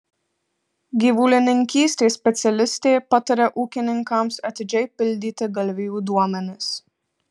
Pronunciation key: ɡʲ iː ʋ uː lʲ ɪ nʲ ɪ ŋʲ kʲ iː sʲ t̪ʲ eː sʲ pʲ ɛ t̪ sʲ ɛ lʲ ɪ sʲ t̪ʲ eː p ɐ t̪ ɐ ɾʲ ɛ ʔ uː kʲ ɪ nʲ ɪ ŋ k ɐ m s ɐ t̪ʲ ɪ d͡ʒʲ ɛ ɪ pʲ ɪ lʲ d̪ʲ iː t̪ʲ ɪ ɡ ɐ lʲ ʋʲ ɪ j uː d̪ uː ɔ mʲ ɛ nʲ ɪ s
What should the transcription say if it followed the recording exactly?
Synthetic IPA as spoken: ɡʲ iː ʋ uː lʲ ɪ nʲ ɪ ŋʲ kʲ iː sʲ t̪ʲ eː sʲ pʲ ɛ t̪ sʲ ɛ lʲ ɪ sʲ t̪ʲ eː p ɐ t̪ ɐ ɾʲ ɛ ʔ uː kʲ ɪ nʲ ɪ ŋ k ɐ m s ɐ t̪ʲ ɪ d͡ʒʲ ɛ ɪ pʲ ɪ lʲ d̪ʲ iː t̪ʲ ɪ ɡ ɐ lʲ ʋʲ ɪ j uː d̪ u ɔ mʲ ɛ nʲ ɪ s